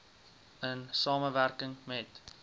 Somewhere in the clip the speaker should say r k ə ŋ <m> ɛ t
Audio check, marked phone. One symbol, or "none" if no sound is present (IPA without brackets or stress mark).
m